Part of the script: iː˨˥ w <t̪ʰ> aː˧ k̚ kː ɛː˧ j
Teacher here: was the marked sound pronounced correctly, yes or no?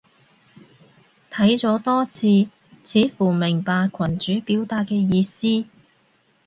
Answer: no